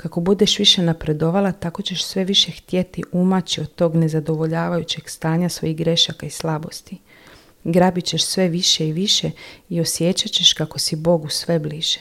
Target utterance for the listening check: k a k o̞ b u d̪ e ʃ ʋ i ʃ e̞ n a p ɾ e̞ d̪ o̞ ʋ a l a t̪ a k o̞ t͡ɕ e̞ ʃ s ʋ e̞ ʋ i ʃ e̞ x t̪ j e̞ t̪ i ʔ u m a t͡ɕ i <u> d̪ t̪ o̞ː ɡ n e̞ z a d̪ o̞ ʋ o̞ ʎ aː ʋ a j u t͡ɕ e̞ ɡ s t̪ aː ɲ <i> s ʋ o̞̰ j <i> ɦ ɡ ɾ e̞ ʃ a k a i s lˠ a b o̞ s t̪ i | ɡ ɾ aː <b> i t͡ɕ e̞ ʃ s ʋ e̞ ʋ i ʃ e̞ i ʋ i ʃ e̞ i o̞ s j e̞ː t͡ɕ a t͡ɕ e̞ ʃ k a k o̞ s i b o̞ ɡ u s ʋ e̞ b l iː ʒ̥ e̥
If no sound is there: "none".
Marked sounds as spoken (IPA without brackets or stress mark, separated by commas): o, a, i, b